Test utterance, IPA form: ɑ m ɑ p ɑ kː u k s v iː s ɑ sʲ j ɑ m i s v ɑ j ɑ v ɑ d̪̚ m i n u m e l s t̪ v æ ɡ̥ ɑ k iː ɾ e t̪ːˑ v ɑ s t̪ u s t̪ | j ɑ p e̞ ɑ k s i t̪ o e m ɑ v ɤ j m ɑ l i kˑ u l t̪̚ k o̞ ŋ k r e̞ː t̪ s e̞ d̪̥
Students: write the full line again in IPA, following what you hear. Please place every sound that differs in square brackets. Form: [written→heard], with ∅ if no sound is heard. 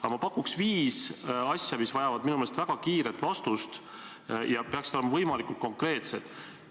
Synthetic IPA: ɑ m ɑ p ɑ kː u k s v iː s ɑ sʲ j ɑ m i s v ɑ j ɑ v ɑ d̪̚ m i n u m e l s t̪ v æ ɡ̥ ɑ k iː ɾ e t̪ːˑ v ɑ s t̪ u s t̪ | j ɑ p e̞ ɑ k s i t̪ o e m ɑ v ɤ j m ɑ l i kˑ u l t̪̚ k o̞ ŋ k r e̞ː t̪ s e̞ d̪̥